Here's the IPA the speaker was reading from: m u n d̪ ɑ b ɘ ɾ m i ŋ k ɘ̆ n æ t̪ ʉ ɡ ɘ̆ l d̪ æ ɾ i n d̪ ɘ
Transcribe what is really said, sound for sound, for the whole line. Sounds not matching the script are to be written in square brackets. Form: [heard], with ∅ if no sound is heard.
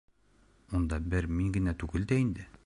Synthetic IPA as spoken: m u n d̪ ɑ b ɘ ɾ m i ŋ [ɡ] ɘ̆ n æ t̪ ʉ ɡ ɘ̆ l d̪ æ [∅] i n d̪ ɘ